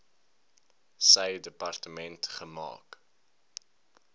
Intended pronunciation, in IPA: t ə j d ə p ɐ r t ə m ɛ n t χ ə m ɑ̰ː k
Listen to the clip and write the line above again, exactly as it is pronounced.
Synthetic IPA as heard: s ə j d ə p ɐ r t ə m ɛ n t χ ə m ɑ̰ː k